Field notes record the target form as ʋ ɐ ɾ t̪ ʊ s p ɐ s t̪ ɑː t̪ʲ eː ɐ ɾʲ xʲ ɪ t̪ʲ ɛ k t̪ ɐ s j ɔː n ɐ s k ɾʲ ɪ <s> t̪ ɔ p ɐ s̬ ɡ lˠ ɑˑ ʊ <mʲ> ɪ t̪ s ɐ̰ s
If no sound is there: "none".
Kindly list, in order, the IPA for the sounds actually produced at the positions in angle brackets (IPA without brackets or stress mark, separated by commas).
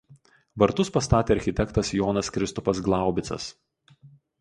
s, bʲ